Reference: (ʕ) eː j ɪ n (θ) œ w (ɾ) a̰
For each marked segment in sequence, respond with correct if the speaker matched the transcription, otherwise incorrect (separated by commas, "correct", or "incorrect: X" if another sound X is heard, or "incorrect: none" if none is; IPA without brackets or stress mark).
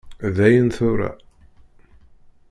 incorrect: ð, correct, correct